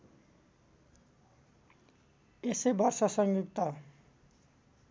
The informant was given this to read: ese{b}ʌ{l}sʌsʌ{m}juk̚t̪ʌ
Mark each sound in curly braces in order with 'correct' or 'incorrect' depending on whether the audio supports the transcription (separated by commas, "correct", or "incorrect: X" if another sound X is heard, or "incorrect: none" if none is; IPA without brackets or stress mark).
correct, incorrect: r, incorrect: ŋ